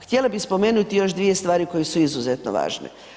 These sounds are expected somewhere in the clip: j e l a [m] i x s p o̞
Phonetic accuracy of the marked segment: incorrect: b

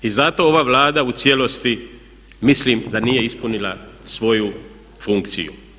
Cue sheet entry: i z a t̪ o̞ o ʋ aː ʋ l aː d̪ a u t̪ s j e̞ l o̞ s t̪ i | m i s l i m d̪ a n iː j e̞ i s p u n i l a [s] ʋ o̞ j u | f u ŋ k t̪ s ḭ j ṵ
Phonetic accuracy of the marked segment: correct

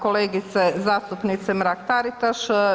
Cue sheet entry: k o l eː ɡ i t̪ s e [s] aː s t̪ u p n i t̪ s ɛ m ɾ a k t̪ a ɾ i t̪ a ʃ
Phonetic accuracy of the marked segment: incorrect: z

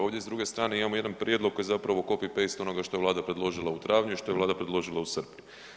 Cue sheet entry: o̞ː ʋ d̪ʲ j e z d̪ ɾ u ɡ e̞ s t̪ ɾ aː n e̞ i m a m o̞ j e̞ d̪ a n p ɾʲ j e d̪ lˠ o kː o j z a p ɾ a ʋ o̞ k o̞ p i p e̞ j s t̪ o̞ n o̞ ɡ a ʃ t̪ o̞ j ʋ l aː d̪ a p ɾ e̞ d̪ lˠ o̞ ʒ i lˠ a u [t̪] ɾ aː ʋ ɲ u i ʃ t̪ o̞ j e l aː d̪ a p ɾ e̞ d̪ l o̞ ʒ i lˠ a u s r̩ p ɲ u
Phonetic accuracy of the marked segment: correct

